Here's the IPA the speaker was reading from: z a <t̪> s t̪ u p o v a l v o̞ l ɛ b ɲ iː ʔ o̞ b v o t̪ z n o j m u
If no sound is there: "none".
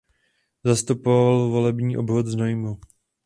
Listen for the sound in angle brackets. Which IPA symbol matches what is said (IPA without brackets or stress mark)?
none